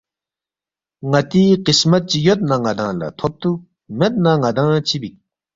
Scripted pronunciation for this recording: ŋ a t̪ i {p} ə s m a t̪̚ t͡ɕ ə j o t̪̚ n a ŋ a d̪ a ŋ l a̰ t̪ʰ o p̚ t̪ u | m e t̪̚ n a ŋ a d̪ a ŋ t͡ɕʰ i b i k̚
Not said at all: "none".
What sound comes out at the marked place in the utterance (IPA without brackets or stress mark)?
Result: q